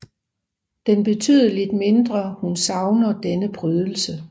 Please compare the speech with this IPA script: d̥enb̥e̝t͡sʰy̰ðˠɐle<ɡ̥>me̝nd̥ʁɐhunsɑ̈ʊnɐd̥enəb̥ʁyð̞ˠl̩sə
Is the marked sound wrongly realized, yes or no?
yes